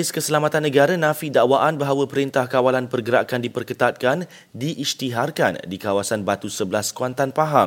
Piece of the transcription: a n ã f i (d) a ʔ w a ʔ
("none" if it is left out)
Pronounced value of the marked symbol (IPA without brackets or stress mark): d